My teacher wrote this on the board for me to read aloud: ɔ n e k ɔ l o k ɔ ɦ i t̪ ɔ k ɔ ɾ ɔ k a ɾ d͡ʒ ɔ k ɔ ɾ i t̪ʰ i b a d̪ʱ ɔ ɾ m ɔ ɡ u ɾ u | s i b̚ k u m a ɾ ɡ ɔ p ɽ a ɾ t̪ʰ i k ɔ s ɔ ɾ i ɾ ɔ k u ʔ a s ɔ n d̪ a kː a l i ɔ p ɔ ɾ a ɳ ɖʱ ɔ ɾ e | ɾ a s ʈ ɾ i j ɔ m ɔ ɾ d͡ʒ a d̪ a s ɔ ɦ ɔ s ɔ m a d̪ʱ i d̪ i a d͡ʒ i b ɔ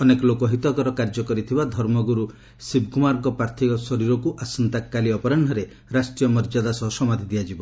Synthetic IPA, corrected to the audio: ɔ n e k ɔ l o k ɔ ɦ i t̪ ɔ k ɔ ɾ ɔ k a ɾ d͡ʒ ɔ k ɔ ɾ i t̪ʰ i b a d̪ʱ ɔ ɾ m ɔ ɡ u ɾ u | s i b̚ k u m a ɾ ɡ ɔ p ɾ a ɾ t̪ʰ i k ɔ s ɔ ɾ i ɾ ɔ k u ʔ a s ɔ n t̪ a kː a l i ɔ p ɔ ɾ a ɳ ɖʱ ɔ ɾ e | ɾ a s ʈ ɾ i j ɔ m ɔ ɾ d͡ʒ a d̪ a s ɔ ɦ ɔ s ɔ m a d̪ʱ i d̪ i a d͡ʒ i b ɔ